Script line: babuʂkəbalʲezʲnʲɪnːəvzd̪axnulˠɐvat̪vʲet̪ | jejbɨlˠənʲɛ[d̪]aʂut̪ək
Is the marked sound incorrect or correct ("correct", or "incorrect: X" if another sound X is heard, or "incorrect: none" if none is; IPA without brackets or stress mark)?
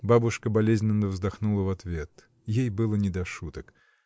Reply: correct